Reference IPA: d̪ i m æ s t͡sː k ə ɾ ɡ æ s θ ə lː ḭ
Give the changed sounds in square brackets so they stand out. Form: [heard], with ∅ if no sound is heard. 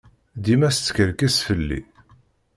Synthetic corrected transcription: d̪ i m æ s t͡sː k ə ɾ [k] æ s [f] ə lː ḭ